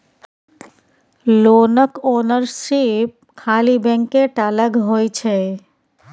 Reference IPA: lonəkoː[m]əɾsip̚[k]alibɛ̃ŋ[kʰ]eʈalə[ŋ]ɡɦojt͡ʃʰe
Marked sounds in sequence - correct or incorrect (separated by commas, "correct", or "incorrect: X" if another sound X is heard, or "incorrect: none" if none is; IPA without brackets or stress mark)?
incorrect: n, incorrect: kʰ, incorrect: k, incorrect: none